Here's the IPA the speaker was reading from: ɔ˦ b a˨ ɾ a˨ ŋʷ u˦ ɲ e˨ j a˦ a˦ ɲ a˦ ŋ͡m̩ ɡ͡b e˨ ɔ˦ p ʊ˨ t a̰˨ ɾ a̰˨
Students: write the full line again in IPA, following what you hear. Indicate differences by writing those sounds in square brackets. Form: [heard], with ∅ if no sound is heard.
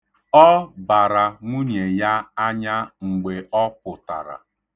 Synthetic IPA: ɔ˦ b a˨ ɾ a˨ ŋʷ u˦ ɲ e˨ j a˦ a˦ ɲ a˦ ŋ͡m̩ ɡ͡b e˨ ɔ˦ p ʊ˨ t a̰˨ ɾ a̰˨